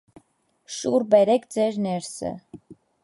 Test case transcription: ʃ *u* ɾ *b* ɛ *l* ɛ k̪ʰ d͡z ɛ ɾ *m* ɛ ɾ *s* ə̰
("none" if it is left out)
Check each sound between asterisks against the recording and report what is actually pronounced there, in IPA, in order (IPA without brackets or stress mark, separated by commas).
u, b, ɾ, n, s